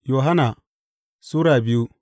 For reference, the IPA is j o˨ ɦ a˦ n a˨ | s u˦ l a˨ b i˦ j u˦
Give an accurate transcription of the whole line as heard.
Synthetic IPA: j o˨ ɦ a˦ n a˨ | s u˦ ɾ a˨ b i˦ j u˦